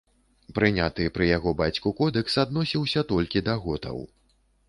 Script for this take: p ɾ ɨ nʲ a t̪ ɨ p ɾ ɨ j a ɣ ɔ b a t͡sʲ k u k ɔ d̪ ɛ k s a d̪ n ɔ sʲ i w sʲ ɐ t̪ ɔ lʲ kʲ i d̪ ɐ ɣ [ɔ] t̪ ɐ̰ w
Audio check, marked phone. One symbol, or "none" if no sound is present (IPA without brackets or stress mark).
ɔ